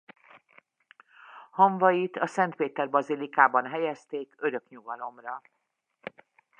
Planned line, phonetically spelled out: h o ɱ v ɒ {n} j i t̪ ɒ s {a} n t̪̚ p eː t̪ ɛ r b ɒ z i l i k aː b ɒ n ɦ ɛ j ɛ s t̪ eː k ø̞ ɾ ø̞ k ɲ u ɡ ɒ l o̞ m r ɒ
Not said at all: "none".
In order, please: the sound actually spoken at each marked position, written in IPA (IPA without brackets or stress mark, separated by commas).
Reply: none, ɛ